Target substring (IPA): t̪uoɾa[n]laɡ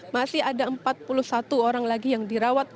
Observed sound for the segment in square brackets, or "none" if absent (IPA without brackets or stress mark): ŋ